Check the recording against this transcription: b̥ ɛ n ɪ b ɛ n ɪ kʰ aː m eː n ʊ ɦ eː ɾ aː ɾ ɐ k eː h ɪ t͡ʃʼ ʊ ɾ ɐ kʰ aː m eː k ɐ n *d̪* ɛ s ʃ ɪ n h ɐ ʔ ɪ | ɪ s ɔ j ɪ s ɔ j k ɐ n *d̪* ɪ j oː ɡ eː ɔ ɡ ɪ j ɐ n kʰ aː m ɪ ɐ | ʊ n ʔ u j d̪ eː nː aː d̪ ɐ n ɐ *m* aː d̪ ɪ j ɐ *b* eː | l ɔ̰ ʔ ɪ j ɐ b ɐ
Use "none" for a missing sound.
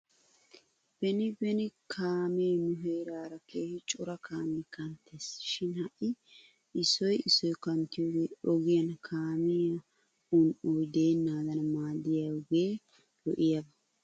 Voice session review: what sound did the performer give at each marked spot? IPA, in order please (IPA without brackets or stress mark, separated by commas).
t̪, t̪, m, ɡ